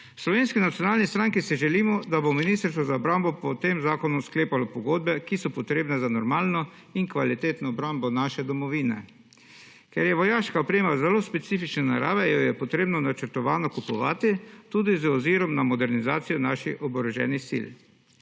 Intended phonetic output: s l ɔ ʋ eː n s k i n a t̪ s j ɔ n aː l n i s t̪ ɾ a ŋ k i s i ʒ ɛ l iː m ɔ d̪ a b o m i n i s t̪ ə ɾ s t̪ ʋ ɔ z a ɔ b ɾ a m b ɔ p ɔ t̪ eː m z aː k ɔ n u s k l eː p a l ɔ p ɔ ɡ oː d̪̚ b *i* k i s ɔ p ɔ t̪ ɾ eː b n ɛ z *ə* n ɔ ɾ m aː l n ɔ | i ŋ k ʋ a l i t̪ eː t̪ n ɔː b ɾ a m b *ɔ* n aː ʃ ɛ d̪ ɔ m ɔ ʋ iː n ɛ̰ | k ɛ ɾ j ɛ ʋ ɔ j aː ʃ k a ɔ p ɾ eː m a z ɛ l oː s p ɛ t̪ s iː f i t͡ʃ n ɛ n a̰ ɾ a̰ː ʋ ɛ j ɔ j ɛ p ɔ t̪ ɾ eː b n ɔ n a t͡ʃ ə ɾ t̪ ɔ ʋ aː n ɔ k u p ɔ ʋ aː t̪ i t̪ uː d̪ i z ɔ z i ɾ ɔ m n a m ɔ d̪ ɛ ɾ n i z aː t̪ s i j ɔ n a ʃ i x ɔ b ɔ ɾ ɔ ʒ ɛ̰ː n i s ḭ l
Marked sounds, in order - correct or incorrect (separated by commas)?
incorrect, incorrect, correct